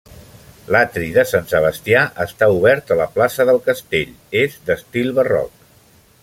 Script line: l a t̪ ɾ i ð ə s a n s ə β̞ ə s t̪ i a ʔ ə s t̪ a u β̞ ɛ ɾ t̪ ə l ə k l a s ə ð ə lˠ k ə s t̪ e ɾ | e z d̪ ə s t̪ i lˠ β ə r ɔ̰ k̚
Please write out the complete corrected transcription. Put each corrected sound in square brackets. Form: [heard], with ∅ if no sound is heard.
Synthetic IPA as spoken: l a t̪ ɾ i ð ə s a n s ə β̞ ə s t̪ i a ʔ ə s t̪ a u β̞ ɛ ɾ t̪ ə l ə [p] l a s ə ð ə lˠ k ə s t̪ e [ʎ] | e z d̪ ə s t̪ i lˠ β ə r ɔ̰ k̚